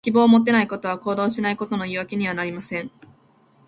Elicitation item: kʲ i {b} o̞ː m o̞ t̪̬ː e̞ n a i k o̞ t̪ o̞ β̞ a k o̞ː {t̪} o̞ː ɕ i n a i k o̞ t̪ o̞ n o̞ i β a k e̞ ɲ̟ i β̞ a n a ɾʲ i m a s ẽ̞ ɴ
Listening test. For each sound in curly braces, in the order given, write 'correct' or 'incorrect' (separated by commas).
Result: correct, incorrect